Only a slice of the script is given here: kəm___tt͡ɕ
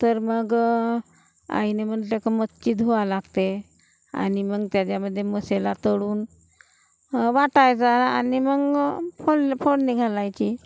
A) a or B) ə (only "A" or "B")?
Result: B